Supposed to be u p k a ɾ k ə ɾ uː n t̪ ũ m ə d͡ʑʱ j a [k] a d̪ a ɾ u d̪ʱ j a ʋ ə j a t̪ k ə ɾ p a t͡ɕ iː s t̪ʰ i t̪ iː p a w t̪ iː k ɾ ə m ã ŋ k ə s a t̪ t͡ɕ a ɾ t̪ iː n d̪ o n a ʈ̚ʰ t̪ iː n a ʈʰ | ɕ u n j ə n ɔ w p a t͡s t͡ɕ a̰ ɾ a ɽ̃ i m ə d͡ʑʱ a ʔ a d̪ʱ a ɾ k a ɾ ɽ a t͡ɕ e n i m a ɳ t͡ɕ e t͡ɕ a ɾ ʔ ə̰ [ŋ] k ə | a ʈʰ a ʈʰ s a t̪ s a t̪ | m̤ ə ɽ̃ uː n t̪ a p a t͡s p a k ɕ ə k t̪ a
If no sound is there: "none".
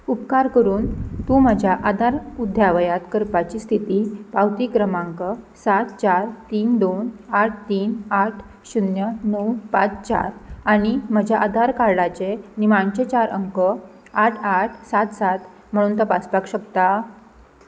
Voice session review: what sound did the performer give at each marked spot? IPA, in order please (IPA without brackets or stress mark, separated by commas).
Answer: ʔ, ŋ